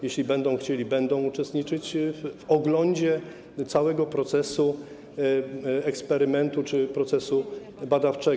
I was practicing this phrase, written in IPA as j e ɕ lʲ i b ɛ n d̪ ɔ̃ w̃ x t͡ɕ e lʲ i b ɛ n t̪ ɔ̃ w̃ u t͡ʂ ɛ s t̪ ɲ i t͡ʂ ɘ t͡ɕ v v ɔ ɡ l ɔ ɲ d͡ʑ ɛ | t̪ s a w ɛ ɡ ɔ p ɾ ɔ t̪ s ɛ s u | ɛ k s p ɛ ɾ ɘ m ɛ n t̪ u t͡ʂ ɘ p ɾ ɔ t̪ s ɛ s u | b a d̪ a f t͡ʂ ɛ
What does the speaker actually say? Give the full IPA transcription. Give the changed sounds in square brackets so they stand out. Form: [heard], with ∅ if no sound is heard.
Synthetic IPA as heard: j e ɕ lʲ i b ɛ n d̪ ɔ̃ w̃ x t͡ɕ e lʲ i b ɛ n [d̪] ɔ̃ w̃ u t͡ʂ ɛ s t̪ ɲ i t͡ʂ ɘ t͡ɕ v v ɔ ɡ l ɔ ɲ d͡ʑ ɛ | t̪ s a w ɛ ɡ ɔ p ɾ ɔ t̪ s ɛ s u | ɛ k s p ɛ ɾ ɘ m ɛ n t̪ u t͡ʂ ɘ p ɾ ɔ t̪ s ɛ s u | b a d̪ a f t͡ʂ ɛ